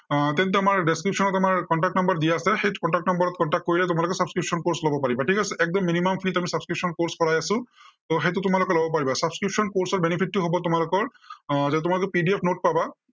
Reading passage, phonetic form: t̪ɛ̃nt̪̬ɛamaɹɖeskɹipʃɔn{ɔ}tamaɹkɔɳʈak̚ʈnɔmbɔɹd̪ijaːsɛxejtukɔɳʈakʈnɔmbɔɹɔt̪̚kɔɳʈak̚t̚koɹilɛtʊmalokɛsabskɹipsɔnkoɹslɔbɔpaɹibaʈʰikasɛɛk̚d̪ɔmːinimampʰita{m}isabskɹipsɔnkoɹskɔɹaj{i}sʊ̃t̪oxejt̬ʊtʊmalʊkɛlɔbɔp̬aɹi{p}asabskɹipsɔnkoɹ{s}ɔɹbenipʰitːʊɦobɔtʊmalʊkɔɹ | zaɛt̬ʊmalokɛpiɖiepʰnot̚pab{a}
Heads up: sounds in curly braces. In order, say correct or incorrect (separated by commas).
correct, correct, incorrect, incorrect, correct, correct